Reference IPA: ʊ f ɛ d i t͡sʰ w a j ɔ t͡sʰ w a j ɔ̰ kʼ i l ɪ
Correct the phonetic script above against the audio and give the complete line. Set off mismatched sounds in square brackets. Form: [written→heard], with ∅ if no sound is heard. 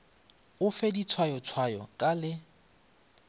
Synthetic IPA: ʊ f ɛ d i t͡sʰ w a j ɔ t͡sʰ w a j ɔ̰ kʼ [i→a] l ɪ